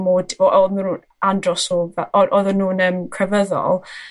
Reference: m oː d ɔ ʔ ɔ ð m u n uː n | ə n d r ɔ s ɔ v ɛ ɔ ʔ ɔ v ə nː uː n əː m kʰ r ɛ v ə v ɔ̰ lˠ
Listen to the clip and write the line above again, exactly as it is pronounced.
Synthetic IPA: m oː d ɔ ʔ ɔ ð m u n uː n | a n d r ɔ s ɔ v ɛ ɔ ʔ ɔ ð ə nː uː n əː m kʰ r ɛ v ə ð ɔ̰ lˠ

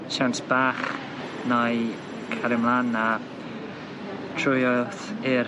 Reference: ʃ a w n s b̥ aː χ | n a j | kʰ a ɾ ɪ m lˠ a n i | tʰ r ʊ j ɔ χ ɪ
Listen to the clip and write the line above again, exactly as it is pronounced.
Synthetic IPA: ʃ a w n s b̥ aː χ | n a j | kʰ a ɾ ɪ m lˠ a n a | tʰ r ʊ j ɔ θ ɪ

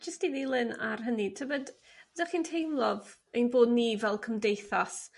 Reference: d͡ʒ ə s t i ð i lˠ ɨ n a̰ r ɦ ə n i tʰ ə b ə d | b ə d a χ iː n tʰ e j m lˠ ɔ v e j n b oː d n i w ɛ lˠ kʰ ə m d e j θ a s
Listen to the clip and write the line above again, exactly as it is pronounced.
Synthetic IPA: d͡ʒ ə s t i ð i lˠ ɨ n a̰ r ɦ ə n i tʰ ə b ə d | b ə d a χ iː n tʰ e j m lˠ ɔ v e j n b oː d n i v ɛ lˠ kʰ ə m d e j θ a s

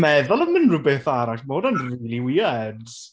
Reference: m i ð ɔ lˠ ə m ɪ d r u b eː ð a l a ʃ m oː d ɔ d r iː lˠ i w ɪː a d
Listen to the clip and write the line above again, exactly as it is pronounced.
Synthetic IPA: m ɛ ð ɔ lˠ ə m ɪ n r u b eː θ a ɾ a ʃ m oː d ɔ n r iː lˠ i w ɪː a d

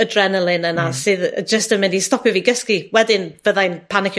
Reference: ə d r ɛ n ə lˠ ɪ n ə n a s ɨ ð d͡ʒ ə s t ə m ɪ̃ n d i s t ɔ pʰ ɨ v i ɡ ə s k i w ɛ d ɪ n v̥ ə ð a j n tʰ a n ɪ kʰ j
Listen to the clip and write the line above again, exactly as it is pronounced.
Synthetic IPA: ə d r ɛ n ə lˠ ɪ n ə n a s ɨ ð d͡ʒ ə s t ə m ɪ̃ n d i s t ɔ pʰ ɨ v i ɡ ə s k i w ɛ d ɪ n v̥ ə ð a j n pʰ a n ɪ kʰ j

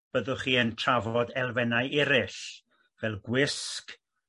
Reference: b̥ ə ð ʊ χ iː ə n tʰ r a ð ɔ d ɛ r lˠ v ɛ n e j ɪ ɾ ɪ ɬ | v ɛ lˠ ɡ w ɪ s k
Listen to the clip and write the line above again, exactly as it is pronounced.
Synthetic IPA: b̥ ə ð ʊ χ iː ə n tʰ r a v ɔ d ɛ lˠ v ɛ n a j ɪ ɾ ɪ ɬ | v ɛ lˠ ɡ w ɪ s k

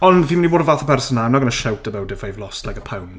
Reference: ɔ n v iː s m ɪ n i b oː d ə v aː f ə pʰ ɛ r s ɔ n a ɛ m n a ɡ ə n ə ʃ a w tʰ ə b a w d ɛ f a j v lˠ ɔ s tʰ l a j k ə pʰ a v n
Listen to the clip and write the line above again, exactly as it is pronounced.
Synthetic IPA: ɔ n v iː m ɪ n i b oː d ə v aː θ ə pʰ ɛ r s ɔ n a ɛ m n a ɡ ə n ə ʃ a w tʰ ə b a w d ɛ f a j v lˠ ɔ s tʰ l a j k ə pʰ a w n

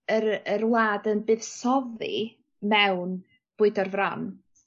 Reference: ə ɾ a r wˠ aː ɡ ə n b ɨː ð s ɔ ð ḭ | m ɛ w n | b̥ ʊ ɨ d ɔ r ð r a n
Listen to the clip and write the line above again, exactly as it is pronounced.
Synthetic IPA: ə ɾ ə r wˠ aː d ə n b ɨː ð s ɔ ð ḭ | m ɛ w n | b̥ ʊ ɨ d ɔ r v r a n

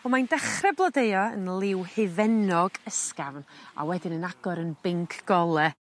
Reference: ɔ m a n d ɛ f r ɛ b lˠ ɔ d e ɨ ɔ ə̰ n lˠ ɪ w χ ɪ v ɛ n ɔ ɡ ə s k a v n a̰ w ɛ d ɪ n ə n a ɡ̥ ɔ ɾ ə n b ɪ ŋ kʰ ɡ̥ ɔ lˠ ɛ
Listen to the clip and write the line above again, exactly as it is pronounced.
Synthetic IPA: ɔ m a n d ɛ χ r ɛ b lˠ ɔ d e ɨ ɔ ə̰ n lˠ ɪ w h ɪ v ɛ n ɔ ɡ ə s k a v n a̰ w ɛ d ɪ n ə n a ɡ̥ ɔ ɾ ə n b ɪ ŋ kʰ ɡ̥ ɔ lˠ ɛ

